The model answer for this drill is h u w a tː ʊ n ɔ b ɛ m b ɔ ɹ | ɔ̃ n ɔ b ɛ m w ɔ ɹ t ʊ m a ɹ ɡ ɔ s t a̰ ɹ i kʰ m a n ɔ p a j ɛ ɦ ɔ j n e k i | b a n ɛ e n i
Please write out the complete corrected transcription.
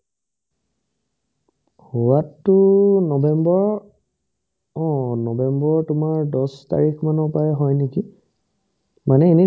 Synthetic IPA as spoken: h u w a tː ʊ n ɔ b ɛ m b ɔ ɹ | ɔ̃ n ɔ b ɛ m b ɔ ɹ t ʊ m a ɹ d ɔ s t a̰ ɹ i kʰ m a n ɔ p a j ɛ ɦ ɔ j n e k i | m a n ɛ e n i

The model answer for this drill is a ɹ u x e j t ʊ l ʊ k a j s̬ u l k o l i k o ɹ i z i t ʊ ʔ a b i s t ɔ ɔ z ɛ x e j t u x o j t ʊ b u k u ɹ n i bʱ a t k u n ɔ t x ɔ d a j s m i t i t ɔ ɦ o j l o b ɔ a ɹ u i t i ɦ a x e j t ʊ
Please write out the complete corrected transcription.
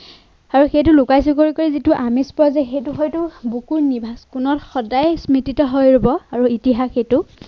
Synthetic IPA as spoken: a ɹ u x e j t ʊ l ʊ k a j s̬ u k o ɹ i k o ɹ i z i t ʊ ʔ a m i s p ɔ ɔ z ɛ x e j t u x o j t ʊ b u k u ɹ n i bʱ a s k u n ɔ t x ɔ d a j s m i t i t ɔ ɦ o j ɹ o b ɔ a ɹ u i t i ɦ a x e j t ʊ

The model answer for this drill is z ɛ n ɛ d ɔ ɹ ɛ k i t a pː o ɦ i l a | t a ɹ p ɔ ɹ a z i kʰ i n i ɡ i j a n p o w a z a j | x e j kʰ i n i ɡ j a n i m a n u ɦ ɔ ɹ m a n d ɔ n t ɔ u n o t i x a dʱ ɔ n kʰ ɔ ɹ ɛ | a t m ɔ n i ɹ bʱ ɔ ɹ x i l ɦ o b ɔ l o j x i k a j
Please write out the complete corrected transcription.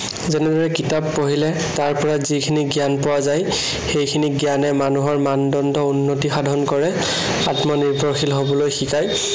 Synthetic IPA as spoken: z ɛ n ɛ d ɔ ɹ ɛ k i t a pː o ɦ i l ɛ | t a ɹ p ɔ ɹ a z i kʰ i n i ɡ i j a n p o w a z a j | x e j kʰ i n i ɡ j a n ɛ m a n u ɦ ɔ ɹ m a n d ɔ n d ɔ u nː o t i x a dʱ ɔ n k ɔ ɹ ɛ | a t m ɔ n i ɹ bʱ ɔ ɹ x i l ɦ o b ɔ l o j x i k a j

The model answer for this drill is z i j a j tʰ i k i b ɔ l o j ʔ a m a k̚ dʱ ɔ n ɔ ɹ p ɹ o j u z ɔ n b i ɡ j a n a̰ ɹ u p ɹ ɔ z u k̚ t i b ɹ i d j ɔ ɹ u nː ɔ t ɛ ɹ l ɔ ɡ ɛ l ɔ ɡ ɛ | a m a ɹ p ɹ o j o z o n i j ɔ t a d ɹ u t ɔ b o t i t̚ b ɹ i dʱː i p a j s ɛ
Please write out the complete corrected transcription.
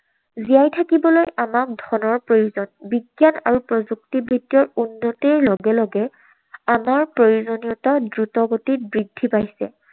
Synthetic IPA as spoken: z i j a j tʰ a k i b ɔ l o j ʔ a m a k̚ dʱ ɔ n ɔ ɹ p ɹ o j u z ɔ n b i ɡ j a n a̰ ɹ u p ɹ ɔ z u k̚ t i b ɹ i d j ɔ ɹ u nː ɔ t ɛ ɹ l ɔ ɡ ɛ l ɔ ɡ ɛ | a m a ɹ p ɹ o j u z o n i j ɔ t a d ɹ u t ɔ ɡ o t i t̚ b ɹ i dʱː i p a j s ɛ

